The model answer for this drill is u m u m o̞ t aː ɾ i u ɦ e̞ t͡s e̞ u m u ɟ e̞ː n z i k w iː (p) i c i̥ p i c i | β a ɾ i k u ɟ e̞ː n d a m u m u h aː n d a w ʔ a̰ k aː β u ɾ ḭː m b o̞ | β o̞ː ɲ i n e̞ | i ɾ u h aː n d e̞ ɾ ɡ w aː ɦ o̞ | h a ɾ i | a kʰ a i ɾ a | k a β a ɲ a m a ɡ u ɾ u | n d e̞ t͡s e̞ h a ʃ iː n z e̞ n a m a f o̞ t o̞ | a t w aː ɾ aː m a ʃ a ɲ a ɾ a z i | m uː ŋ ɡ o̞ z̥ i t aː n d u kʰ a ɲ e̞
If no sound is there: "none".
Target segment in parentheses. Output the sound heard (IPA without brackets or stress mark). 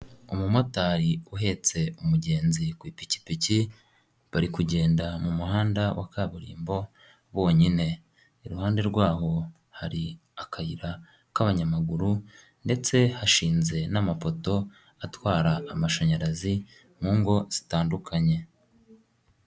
p